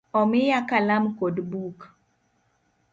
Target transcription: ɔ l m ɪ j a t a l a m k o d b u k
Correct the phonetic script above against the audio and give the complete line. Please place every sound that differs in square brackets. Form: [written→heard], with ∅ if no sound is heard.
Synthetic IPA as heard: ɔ [l→∅] m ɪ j a [t→k] a l a m k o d b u k